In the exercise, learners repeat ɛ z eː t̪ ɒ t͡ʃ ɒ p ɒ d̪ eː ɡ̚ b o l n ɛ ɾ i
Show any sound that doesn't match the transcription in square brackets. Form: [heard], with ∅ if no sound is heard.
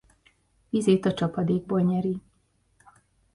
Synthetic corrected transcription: [i] z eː t̪ ɒ t͡ʃ ɒ p ɒ d̪ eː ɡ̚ b o l [ɲ] ɛ ɾ i